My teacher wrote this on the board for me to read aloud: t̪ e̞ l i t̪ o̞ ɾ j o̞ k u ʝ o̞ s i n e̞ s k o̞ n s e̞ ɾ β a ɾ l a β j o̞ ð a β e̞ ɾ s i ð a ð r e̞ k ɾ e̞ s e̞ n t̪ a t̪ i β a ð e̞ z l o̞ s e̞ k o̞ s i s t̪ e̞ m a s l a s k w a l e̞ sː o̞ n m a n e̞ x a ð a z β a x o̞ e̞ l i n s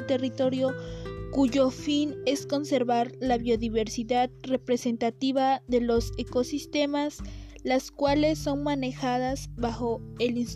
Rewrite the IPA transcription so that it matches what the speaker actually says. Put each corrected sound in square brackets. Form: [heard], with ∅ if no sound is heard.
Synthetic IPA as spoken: t̪ e̞ [r] i t̪ o̞ ɾ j o̞ k u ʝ o̞ [f] i n e̞ s k o̞ n s e̞ ɾ β a ɾ l a β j o̞ ð [i] β e̞ ɾ s i ð a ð r e̞ [p] ɾ e̞ s e̞ n t̪ a t̪ i β a ð e̞ [∅] l o̞ s e̞ k o̞ s i s t̪ e̞ m a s l a s k w a l e̞ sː o̞ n m a n e̞ x a ð a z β a x o̞ e̞ l i n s